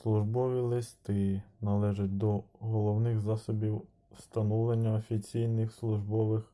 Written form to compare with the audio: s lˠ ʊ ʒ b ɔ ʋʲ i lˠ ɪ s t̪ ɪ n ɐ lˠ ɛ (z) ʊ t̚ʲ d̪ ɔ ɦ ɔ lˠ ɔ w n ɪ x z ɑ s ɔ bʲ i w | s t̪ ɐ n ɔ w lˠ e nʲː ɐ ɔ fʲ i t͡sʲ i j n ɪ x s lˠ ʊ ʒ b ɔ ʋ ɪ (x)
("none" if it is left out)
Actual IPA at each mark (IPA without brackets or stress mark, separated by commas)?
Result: ʒ, x